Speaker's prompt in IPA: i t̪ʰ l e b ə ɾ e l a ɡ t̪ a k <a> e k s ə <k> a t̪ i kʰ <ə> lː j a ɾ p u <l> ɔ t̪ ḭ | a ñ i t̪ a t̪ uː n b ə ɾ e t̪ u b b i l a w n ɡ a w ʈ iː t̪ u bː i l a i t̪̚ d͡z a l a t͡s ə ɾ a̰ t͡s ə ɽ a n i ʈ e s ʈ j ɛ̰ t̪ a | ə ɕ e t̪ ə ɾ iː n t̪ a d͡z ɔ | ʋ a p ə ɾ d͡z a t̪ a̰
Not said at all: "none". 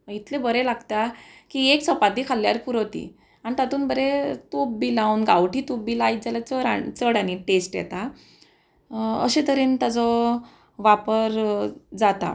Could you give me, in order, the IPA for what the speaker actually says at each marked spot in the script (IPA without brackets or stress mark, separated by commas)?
i, p, a, ɾ